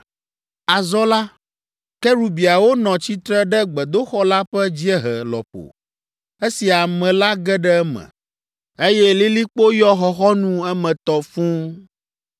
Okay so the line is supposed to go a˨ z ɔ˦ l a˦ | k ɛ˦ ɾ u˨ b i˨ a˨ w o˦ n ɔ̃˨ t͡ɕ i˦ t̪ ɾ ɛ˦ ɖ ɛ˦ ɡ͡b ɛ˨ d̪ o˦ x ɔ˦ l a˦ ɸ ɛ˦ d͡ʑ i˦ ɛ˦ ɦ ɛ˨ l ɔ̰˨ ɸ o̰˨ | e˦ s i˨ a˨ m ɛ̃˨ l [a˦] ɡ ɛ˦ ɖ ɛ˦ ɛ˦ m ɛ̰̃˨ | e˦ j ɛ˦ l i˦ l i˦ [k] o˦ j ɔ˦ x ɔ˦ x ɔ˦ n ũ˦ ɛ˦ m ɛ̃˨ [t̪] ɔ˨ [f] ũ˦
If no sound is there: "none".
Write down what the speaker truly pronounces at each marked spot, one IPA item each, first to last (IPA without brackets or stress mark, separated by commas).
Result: a˦, k͡p, t̪, f